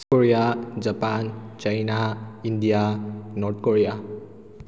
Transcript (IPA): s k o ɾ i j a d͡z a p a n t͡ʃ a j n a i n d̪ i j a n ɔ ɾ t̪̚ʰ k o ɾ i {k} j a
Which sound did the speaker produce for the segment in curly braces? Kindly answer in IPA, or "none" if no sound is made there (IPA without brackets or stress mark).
none